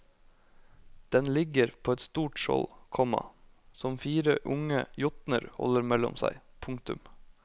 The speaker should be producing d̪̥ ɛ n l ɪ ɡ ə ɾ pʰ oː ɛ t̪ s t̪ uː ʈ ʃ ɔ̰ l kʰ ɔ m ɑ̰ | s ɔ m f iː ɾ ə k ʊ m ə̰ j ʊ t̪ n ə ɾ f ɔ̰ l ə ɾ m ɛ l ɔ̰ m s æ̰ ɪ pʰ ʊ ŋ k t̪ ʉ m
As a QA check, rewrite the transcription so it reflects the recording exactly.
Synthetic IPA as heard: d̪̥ ɛ n l ɪ ɡ ə ɾ pʰ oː ɛ t̪ s t̪ uː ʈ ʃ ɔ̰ l kʰ ɔ m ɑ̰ | s ɔ m f iː ɾ ə ʔ ʊ ŋ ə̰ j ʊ t̪ n ə ɾ h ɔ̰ l ə ɾ m ɛ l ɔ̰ m s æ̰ ɪ pʰ ʊ ŋ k t̪ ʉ m